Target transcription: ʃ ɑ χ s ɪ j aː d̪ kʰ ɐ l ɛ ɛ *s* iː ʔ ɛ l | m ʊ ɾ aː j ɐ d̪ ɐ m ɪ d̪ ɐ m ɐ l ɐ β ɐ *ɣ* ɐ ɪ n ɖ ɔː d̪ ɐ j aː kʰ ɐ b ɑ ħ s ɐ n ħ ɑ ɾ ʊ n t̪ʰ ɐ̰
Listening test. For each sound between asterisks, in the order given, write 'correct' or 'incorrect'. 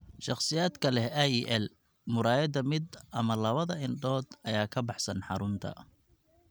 incorrect: none, incorrect: ð

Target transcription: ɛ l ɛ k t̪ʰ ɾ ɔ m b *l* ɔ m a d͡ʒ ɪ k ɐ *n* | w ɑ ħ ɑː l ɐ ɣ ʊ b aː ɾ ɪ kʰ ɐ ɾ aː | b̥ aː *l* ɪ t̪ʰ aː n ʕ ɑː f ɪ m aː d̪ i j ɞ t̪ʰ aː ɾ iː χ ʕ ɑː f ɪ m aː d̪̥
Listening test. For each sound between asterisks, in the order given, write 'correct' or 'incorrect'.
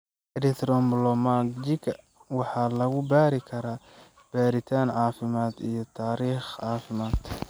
correct, incorrect: none, incorrect: ɾ

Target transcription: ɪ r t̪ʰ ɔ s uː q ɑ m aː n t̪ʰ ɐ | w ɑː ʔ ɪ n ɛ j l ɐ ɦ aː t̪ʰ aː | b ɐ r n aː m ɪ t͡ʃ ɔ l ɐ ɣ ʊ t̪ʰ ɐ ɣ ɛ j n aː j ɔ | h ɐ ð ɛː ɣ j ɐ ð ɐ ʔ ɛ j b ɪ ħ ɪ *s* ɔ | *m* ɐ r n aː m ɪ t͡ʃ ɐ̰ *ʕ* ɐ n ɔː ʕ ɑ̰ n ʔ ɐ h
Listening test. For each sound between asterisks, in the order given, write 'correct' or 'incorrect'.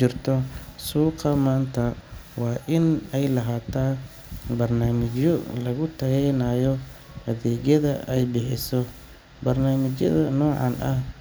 correct, incorrect: b, incorrect: ð

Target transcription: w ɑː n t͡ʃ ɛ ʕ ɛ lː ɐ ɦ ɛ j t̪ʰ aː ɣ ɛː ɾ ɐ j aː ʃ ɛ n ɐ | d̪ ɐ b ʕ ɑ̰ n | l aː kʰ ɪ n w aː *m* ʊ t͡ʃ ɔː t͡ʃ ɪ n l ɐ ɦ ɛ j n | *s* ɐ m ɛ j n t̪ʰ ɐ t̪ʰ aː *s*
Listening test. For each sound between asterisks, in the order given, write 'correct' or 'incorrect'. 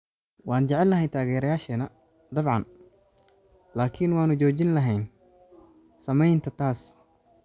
incorrect: n, correct, correct

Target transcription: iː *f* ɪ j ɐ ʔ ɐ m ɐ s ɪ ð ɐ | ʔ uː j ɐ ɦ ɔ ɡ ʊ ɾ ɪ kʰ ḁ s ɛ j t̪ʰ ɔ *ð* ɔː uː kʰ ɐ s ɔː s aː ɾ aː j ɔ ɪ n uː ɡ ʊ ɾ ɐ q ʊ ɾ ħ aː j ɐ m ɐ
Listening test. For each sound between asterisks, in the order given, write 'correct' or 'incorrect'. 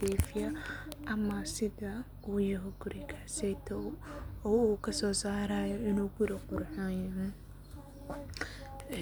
correct, incorrect: none

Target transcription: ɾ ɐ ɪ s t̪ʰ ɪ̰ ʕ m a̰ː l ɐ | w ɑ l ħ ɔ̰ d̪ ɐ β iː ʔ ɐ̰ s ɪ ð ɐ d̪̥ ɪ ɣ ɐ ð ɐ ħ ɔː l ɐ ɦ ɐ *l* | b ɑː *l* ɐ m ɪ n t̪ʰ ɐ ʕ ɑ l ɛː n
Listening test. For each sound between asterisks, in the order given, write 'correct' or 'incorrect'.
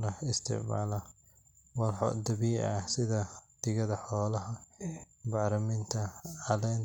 incorrect: none, incorrect: ɾ

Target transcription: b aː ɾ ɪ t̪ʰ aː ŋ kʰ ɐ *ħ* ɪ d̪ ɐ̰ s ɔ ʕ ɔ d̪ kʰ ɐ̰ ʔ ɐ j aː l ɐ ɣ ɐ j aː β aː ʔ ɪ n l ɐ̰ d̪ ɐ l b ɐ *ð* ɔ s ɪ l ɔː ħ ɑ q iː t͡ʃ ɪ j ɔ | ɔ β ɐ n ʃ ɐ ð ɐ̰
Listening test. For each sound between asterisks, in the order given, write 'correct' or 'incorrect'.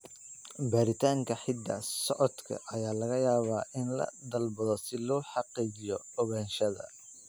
correct, correct

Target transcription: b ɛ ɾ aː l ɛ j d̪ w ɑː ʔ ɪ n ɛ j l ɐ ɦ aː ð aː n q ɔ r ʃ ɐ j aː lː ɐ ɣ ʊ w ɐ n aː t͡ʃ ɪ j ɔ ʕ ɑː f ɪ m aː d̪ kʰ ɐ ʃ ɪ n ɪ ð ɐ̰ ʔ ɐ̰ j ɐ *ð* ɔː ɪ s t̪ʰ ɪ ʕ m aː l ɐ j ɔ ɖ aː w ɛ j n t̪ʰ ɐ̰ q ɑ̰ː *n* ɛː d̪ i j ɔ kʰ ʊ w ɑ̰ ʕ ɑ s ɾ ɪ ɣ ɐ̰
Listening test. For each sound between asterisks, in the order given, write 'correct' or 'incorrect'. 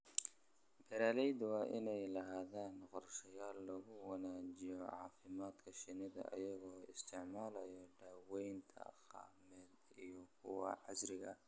incorrect: ɣ, incorrect: m

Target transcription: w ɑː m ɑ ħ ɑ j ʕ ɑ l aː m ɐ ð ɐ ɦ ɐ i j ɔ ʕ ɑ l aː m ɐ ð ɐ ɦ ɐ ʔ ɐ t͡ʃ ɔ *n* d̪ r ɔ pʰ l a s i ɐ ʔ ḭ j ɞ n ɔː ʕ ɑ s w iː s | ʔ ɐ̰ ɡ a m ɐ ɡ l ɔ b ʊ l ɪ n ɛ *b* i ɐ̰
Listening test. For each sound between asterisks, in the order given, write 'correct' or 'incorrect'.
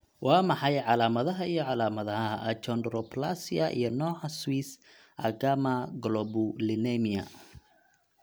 correct, incorrect: m

